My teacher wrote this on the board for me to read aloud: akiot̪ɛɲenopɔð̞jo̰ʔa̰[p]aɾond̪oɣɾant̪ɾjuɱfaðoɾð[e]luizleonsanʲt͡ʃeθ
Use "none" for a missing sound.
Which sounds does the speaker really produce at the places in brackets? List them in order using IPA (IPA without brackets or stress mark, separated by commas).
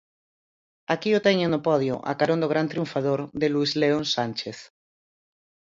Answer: k, e